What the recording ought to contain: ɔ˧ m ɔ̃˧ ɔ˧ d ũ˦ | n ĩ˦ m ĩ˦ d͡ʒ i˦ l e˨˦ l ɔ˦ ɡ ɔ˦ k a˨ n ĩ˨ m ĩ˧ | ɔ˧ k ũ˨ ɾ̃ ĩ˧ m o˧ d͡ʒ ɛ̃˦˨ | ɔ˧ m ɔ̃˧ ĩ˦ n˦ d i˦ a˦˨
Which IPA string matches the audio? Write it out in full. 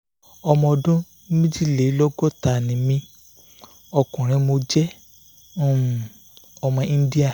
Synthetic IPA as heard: ɔ˧ m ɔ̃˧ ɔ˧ d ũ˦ | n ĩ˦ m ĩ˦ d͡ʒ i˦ l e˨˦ l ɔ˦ ɡ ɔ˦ t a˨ n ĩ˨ m ĩ˧ | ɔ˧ k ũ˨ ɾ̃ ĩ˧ m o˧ d͡ʒ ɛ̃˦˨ | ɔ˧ m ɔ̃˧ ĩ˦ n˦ d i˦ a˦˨